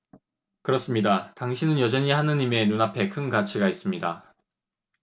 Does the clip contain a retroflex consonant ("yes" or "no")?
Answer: no